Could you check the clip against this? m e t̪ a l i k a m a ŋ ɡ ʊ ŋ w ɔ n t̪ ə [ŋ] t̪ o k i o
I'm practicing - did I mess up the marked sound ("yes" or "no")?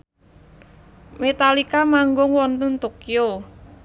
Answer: yes